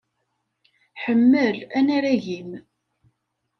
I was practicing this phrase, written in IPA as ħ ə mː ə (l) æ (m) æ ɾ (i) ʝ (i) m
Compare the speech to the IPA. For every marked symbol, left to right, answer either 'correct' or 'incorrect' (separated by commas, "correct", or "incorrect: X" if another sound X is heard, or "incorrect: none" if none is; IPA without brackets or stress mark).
correct, incorrect: n, incorrect: æ, correct